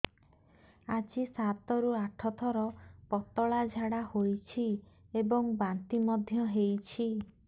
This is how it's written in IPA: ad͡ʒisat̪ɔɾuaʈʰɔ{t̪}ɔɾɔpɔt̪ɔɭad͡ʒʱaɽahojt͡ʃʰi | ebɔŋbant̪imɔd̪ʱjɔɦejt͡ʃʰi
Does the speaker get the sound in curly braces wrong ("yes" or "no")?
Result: yes